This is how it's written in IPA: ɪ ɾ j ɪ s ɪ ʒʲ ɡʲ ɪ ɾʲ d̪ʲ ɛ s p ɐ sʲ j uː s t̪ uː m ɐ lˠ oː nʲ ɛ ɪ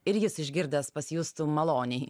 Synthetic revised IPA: ɪ ɾ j ɪ s ɪ ʒʲ ɡʲ ɪ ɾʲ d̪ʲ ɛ s p ɐ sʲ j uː s t̪ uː m ɐ lˠ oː nʲ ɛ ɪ